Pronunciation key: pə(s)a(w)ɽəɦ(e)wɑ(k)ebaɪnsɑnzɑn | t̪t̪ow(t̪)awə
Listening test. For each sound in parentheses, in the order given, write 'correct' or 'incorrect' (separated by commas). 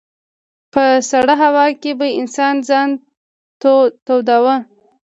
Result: correct, incorrect, incorrect, correct, incorrect